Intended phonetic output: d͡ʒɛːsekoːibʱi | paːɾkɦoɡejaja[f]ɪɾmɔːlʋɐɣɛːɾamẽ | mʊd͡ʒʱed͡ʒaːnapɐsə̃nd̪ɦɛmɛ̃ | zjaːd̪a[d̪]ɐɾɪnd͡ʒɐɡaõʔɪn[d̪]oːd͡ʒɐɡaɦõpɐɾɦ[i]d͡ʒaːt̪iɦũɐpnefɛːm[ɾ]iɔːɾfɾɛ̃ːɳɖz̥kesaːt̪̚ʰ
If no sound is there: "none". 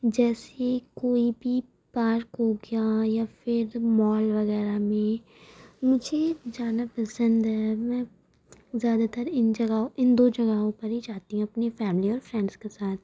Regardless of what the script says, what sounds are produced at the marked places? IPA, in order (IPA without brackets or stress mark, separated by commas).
f, t̪, d̪, i, l